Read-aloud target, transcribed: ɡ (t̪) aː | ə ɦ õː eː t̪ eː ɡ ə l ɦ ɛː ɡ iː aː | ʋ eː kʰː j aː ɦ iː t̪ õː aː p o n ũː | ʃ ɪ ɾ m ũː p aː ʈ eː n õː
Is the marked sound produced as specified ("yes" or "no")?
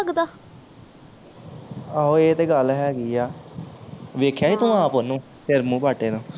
no